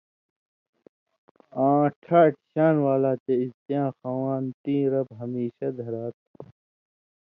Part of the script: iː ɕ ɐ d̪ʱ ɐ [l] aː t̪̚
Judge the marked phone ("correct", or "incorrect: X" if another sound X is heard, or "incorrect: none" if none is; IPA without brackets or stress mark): incorrect: ɾ